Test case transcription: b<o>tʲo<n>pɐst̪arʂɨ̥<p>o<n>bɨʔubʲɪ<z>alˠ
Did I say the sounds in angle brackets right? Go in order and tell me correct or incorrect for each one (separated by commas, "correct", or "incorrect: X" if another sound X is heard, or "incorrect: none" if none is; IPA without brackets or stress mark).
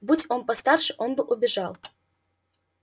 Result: incorrect: u, correct, incorrect: ʔ, correct, incorrect: ʐ